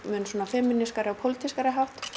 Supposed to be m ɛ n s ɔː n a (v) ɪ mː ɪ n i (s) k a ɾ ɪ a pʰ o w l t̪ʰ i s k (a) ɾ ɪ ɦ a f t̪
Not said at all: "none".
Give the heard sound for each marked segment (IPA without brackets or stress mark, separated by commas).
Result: f, s, a